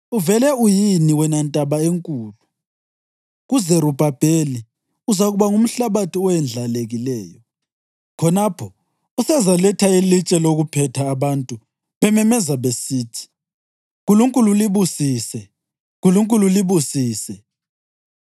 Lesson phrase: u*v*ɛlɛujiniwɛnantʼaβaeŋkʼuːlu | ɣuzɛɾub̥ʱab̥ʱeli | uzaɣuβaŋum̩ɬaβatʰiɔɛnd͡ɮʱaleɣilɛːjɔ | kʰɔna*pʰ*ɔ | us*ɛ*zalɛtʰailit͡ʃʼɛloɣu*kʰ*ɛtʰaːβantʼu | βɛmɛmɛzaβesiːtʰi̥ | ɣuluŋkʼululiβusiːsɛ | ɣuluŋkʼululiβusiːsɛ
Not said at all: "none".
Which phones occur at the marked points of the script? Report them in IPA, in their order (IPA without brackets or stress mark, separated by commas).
v, pʰ, ɛ, pʰ